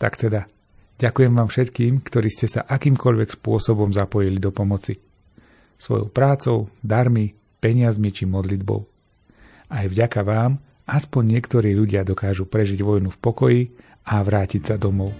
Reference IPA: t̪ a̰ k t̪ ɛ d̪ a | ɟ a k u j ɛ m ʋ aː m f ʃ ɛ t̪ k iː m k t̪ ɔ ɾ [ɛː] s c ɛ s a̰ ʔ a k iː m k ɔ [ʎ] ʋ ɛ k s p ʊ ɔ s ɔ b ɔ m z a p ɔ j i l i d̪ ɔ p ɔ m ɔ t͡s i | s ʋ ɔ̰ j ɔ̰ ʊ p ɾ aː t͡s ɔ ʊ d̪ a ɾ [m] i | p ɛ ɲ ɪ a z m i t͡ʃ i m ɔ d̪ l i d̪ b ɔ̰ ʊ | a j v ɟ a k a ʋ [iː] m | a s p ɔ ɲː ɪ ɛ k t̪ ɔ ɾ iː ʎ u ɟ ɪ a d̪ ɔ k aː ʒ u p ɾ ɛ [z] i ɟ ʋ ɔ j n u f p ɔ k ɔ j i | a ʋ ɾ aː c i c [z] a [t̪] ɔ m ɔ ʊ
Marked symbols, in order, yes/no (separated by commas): no, yes, yes, no, no, no, no